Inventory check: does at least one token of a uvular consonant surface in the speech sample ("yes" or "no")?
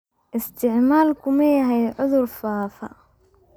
no